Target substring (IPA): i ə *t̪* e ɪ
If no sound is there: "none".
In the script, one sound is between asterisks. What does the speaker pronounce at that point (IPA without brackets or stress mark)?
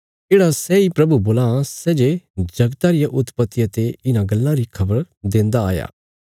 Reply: t̪